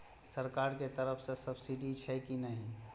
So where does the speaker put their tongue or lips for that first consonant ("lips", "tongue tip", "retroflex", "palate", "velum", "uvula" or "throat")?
tongue tip